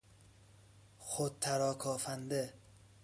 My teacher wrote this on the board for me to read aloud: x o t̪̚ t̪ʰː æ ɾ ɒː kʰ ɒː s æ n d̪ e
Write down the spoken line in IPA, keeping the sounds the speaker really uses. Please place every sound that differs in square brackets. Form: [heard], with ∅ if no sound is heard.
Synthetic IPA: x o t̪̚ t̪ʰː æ ɾ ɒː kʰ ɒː [f] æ n d̪ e